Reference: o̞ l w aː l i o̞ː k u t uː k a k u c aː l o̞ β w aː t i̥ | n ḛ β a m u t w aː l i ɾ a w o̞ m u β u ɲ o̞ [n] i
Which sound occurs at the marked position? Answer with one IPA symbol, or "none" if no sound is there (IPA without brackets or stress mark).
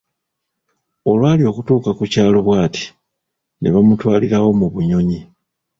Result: ɲ